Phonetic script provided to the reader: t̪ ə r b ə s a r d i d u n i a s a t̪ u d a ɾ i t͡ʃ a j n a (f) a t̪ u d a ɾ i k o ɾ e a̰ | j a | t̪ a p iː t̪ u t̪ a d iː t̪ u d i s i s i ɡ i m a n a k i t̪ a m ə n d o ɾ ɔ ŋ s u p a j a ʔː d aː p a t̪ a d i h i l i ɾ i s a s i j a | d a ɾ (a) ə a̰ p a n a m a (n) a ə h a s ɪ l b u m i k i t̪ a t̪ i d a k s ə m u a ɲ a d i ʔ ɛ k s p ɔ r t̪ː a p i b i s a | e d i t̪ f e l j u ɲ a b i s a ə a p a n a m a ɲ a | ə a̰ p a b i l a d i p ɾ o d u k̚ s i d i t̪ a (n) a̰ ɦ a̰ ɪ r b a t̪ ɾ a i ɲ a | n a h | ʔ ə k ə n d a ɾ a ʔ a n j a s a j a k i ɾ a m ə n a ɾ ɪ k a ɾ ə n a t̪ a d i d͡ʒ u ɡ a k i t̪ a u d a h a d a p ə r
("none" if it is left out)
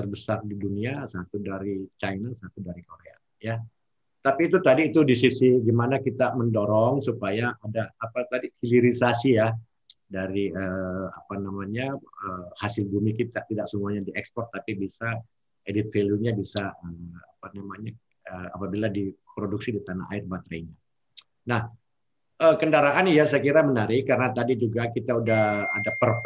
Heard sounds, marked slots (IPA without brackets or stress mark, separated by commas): s, i, ɲ, n